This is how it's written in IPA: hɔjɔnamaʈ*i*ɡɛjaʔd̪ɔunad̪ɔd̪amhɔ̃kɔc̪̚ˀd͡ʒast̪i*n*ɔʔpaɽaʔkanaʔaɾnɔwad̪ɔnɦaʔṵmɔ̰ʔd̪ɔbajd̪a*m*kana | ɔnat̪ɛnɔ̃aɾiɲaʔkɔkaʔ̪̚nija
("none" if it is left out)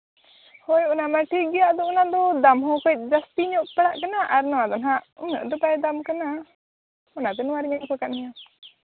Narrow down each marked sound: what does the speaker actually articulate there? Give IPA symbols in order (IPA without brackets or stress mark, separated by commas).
i, ɲ, m